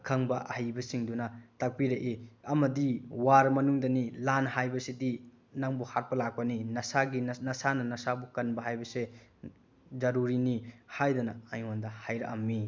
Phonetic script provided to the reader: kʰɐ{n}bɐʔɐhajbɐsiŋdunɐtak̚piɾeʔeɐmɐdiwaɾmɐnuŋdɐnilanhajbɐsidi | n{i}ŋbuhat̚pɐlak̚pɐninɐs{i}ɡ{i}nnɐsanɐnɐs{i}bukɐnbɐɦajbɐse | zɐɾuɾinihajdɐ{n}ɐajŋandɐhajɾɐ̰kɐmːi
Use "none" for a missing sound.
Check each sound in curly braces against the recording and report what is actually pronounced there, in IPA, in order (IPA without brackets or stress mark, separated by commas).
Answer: ŋ, a, a, i, a, n